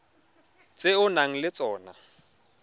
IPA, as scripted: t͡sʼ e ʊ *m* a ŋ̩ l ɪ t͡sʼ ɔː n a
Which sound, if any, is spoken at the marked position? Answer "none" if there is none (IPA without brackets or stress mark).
n